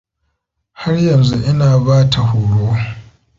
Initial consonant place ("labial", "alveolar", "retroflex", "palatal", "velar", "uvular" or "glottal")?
glottal